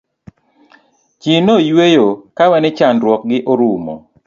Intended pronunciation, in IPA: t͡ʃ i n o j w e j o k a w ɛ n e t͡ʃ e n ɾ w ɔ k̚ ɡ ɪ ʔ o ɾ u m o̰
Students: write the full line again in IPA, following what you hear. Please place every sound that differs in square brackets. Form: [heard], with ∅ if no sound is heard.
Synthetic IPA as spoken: t͡ʃ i n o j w e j o k a w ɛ n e t͡ʃ [a] n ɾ w ɔ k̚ ɡ ɪ ʔ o ɾ u m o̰